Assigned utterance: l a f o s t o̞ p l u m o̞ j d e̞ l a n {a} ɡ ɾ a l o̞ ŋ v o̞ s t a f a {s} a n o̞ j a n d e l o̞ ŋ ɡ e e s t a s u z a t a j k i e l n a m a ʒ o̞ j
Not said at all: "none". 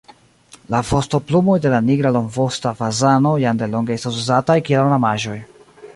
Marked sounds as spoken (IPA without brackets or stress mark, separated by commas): i, z